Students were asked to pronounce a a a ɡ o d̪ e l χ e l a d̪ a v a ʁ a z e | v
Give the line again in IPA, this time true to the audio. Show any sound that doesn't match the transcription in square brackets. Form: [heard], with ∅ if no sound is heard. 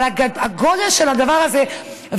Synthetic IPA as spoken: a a a ɡ o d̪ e l [ʃ] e l a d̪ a v a ʁ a z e | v